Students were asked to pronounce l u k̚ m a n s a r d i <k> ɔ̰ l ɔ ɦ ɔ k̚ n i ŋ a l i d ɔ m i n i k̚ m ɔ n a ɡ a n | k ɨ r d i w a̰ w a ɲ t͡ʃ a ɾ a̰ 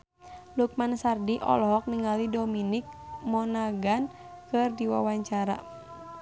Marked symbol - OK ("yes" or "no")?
no